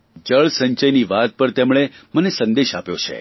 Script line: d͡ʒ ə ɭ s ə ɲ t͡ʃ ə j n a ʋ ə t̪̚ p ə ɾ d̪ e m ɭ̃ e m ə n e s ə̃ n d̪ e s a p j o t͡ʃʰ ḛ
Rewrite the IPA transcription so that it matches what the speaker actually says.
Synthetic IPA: d͡ʒ ə ɭ s ə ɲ t͡ʃ ə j n i ʋ a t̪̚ p ə ɾ t̪ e m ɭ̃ e m ə n e s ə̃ n d̪ e ʃ a p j o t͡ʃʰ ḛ